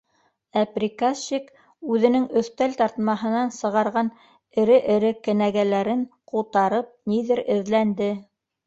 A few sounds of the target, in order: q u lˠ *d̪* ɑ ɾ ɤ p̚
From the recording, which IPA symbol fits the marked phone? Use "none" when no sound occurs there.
t̪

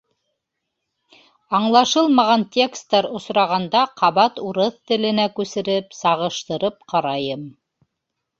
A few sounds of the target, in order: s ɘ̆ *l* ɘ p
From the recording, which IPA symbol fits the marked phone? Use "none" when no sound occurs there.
ɾ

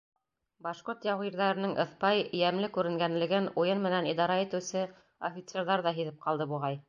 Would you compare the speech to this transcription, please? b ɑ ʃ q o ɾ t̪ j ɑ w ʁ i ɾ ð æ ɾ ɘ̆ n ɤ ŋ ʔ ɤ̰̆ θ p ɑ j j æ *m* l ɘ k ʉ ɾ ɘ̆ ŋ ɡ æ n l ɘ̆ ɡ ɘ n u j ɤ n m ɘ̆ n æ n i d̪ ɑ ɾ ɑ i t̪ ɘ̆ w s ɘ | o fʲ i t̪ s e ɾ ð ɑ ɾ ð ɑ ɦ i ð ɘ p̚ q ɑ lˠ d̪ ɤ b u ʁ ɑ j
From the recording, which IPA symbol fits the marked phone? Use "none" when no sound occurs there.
m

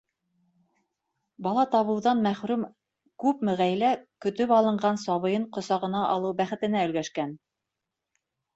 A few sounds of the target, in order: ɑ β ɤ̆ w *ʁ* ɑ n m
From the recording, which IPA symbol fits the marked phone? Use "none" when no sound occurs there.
ð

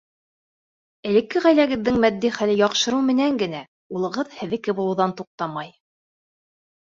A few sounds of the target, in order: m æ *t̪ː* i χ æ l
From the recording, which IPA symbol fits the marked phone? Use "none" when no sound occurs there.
d̪ː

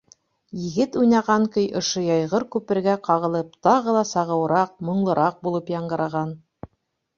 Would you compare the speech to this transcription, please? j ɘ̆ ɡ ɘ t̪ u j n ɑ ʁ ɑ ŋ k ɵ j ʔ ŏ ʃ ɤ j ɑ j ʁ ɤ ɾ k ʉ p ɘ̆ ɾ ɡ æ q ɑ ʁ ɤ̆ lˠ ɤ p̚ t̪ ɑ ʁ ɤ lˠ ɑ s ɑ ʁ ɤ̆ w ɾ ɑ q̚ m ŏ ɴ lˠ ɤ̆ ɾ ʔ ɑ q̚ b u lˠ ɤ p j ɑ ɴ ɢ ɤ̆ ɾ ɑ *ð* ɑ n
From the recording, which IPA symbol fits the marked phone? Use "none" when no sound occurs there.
ʁ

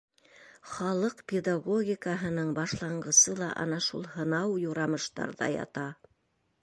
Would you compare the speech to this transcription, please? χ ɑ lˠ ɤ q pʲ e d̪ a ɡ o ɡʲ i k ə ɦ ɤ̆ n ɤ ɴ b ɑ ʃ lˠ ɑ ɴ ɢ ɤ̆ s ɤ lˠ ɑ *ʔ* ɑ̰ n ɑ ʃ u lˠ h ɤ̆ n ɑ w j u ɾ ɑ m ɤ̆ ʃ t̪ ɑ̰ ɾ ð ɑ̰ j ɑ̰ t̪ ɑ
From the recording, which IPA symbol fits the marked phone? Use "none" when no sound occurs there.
ʔ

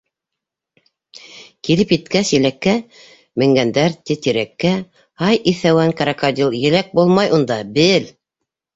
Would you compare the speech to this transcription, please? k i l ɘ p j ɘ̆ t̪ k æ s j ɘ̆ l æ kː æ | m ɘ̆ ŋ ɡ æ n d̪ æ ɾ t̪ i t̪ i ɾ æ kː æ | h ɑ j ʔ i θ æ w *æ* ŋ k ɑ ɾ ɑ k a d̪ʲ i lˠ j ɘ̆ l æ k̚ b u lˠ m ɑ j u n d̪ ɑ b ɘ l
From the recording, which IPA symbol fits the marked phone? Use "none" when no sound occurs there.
æ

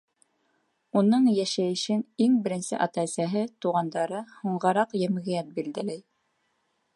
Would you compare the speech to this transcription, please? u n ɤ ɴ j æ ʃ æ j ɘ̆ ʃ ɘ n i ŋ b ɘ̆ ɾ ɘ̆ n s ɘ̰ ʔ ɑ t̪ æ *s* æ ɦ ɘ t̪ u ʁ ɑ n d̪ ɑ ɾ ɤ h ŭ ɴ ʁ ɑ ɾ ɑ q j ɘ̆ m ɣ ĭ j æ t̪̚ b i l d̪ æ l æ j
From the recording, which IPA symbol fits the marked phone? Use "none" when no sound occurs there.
s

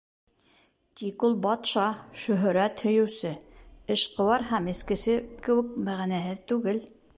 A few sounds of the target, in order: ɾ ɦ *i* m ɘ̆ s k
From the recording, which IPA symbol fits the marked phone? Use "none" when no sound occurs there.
æ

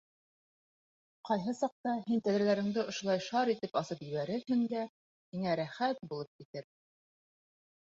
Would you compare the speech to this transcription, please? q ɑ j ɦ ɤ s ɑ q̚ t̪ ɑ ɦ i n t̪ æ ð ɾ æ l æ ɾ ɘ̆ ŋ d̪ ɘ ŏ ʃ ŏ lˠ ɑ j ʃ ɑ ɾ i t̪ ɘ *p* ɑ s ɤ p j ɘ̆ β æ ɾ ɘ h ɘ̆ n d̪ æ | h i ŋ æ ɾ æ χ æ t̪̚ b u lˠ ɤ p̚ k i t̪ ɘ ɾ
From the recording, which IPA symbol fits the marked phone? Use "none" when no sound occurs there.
p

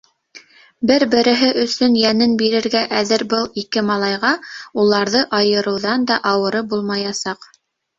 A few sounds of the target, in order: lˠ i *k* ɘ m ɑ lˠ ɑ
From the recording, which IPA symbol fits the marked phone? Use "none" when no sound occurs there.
k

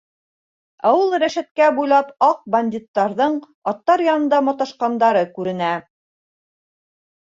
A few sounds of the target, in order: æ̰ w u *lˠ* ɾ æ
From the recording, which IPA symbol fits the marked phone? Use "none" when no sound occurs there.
lˠ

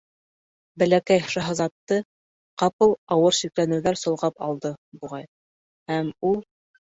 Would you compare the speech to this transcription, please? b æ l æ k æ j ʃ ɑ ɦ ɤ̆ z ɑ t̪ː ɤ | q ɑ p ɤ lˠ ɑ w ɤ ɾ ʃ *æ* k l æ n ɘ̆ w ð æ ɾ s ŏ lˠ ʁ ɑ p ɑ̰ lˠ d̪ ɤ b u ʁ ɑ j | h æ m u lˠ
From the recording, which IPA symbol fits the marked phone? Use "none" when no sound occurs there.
i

